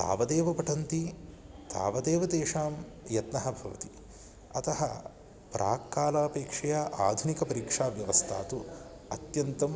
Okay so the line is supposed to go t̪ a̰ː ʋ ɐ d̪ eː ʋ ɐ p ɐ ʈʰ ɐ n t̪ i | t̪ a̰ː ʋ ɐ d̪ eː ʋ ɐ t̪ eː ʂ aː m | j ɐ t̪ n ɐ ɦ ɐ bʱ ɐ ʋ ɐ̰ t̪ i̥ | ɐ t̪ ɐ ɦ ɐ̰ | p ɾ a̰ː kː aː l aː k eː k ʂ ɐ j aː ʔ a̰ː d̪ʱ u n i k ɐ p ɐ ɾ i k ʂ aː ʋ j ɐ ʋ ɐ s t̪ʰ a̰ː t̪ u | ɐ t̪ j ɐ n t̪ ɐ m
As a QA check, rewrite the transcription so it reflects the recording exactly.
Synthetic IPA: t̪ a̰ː ʋ ɐ d̪ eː ʋ ɐ p ɐ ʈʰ ɐ n t̪ i | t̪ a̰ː ʋ ɐ d̪ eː ʋ ɐ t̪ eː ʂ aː m | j ɐ t̪ n ɐ ɦ ɐ bʱ ɐ ʋ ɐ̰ t̪ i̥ | ɐ t̪ ɐ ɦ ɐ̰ | p ɾ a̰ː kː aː l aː p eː k ʂ ɐ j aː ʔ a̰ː d̪ʱ u n i k ɐ p ɐ ɾ i k ʂ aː ʋ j ɐ ʋ ɐ s t̪ʰ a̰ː t̪ u | ɐ t̪ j ɐ n t̪ ɐ m

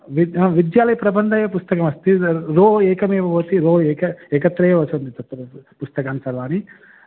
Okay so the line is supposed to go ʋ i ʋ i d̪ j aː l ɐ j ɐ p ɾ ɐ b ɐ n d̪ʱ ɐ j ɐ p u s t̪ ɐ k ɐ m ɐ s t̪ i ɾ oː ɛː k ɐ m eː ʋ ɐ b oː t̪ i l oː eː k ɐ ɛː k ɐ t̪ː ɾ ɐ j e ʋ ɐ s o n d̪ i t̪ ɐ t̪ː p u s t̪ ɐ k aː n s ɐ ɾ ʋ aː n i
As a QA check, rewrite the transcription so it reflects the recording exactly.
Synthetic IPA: ʋ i ʋ i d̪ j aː l ɐ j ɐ p ɾ ɐ b ɐ n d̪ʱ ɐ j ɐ p u s t̪ ɐ k ɐ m ɐ s t̪ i ɾ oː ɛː k ɐ m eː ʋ ɐ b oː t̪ i ɾ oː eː k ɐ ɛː k ɐ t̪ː ɾ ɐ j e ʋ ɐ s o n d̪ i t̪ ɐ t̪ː p u s t̪ ɐ k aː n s ɐ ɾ ʋ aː n i

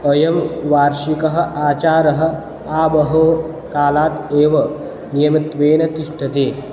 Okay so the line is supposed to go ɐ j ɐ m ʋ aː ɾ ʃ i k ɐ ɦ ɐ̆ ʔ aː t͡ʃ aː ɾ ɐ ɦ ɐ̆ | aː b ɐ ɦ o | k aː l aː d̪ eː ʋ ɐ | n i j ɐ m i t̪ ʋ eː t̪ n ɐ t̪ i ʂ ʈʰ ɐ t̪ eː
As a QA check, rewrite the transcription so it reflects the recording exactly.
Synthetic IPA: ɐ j ɐ m ʋ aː ɾ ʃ i k ɐ ɦ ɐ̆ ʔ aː t͡ʃ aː ɾ ɐ ɦ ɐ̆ | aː b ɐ ɦ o | k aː l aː t̪ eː ʋ ɐ | n i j ɐ m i t̪ ʋ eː n ɐ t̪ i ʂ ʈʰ ɐ t̪ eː

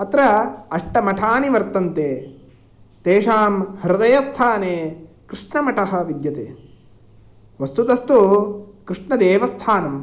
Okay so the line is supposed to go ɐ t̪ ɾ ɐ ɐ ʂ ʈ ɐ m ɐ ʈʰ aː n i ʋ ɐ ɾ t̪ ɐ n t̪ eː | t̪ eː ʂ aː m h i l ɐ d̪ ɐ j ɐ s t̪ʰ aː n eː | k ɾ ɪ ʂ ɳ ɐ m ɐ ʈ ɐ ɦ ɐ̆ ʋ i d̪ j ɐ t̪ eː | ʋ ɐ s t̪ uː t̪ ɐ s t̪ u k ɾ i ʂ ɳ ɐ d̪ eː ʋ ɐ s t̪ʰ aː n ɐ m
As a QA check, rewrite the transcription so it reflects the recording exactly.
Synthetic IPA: ɐ t̪ ɾ ɐ ɐ ʂ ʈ ɐ m ɐ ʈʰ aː n i ʋ ɐ ɾ t̪ ɐ n t̪ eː | t̪ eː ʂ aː m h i ɾ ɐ d̪ ɐ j ɐ s t̪ʰ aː n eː | k ɾ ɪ ʂ ɳ ɐ m ɐ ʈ ɐ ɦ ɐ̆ ʋ i d̪ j ɐ t̪ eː | ʋ ɐ s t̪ u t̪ ɐ s t̪ u k ɾ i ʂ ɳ ɐ d̪ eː ʋ ɐ s t̪ʰ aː n ɐ m

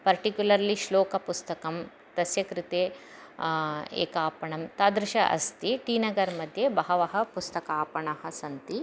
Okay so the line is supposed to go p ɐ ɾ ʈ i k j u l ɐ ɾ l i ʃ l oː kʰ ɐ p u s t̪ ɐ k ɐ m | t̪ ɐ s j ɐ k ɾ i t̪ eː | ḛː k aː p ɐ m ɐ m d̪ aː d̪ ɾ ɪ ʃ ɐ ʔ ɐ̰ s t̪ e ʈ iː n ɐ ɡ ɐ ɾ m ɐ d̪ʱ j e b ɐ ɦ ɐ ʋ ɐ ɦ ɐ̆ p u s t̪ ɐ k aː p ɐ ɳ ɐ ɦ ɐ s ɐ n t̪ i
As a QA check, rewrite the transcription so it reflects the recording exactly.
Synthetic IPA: p ɐ ɾ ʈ i k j u l ɐ ɾ l i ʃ l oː k ɐ p u s t̪ ɐ k ɐ m | t̪ ɐ s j ɐ k ɾ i t̪ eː | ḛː k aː p ɐ ɳ ɐ m t̪ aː d̪ ɾ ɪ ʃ ɐ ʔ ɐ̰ s t̪ i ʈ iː n ɐ ɡ ɐ ɾ m ɐ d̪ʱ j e b ɐ ɦ ɐ ʋ ɐ ɦ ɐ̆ p u s t̪ ɐ k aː p ɐ ɳ ɐ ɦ ɐ s ɐ n t̪ i

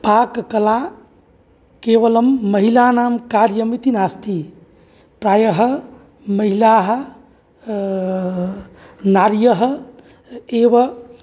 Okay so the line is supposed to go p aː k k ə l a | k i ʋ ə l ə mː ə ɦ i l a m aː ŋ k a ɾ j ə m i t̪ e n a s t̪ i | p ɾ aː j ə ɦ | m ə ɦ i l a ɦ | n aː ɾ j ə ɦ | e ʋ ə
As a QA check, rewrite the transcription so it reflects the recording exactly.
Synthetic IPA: p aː k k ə l a | k e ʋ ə l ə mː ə ɦ i l a n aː m k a ɾ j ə m i t̪ i n a s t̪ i | p ɾ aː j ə ɦ | m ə ɦ i l a ɦ | n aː ɾ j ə ɦ | e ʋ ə

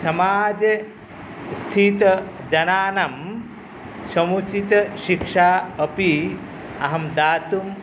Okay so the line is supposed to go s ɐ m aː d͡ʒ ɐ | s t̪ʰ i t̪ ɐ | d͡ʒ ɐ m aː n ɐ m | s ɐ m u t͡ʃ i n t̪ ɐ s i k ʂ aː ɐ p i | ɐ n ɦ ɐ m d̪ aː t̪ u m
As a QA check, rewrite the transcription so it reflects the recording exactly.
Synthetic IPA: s ɐ m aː d͡ʒ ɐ | s t̪ʰ i t̪ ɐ | d͡ʒ ɐ n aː n ɐ m | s ɐ m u t͡ʃ i t̪ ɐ ʃ i k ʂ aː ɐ p i | ɐ ɦ ɐ m d̪ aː t̪ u m

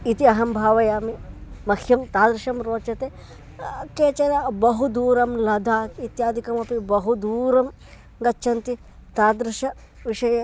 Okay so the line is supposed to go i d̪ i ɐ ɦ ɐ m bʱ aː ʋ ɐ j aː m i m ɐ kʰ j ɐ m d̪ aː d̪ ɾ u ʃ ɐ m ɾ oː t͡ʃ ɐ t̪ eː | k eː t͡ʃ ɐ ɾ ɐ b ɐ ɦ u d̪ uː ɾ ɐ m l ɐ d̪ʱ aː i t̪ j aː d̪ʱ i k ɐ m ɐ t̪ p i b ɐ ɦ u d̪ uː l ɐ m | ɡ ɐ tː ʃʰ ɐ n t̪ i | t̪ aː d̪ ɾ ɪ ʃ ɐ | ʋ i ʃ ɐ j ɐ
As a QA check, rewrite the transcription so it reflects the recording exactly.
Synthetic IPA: i t̪ i ɐ ɦ ɐ m bʱ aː ʋ ɐ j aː m i m ɐ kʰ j ɐ m t̪ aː d̪ ɾ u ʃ ɐ m ɾ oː t͡ʃ ɐ t̪ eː | k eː t͡ʃ ɐ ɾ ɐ b ɐ ɦ u d̪ uː ɾ ɐ m l ɐ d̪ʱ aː i t̪ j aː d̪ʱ i k ɐ m ɐ p i b ɐ ɦ u d̪ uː ɾ ɐ m | ɡ ɐ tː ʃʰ ɐ n t̪ i | t̪ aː d̪ ɾ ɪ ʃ ɐ | ʋ i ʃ ɐ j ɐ

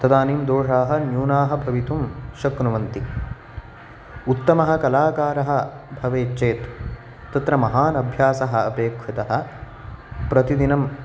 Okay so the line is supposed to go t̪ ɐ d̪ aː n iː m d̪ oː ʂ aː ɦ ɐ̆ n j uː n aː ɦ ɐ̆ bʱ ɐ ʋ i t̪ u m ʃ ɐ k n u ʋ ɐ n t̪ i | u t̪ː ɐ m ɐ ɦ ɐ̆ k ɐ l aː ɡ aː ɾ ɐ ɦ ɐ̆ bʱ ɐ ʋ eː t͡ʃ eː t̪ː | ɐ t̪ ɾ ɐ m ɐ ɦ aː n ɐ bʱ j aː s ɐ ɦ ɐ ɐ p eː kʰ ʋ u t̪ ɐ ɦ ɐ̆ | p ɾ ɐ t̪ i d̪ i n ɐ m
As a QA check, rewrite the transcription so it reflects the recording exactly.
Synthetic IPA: t̪ ɐ d̪ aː n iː m d̪ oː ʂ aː ɦ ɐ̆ n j uː n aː ɦ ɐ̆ bʱ ɐ ʋ i t̪ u m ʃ ɐ k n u ʋ ɐ n t̪ i | u t̪ː ɐ m ɐ ɦ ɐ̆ k ɐ l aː k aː ɾ ɐ ɦ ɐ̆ bʱ ɐ ʋ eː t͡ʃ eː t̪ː | ɐ t̪ ɾ ɐ m ɐ ɦ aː n ɐ bʱ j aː s ɐ ɦ ɐ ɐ p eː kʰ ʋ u t̪ ɐ ɦ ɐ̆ | p ɾ ɐ t̪ i d̪ i n ɐ m

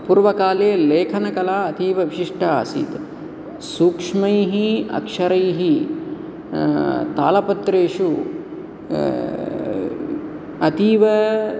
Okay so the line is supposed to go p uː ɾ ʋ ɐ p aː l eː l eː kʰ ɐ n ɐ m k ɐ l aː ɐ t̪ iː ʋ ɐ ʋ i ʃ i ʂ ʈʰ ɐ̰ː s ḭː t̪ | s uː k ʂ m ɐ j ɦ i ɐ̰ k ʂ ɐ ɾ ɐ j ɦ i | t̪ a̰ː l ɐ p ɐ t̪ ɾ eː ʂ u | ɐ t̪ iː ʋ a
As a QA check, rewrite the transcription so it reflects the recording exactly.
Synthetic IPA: p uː ɾ ʋ ɐ k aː l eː l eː kʰ ɐ n ɐ k ɐ l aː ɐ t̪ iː ʋ ɐ ʋ i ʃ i ʂ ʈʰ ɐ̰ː s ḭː t̪ | s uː k ʂ m ɐ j ɦ i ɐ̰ k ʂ ɐ ɾ ɐ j ɦ i | t̪ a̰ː l ɐ p ɐ t̪ ɾ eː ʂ u | ɐ t̪ iː ʋ ɐ

